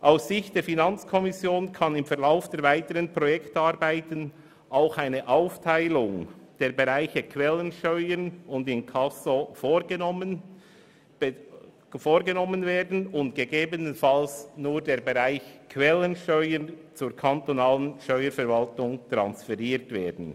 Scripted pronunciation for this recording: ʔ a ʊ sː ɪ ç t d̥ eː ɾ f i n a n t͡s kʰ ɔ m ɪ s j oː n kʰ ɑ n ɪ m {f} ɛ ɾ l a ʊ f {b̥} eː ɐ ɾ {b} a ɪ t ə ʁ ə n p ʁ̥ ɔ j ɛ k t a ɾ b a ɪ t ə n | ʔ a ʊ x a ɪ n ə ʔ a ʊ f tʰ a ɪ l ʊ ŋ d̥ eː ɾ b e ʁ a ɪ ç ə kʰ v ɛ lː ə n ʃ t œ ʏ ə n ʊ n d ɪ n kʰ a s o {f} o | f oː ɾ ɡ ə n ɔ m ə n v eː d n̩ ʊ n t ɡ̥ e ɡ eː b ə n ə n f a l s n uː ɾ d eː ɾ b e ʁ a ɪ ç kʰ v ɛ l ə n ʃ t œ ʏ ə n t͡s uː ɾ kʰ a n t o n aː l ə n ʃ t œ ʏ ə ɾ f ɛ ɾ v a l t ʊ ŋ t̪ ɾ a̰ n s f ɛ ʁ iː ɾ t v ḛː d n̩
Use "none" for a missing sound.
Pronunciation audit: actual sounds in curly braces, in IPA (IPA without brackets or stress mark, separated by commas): f, d̥, v, f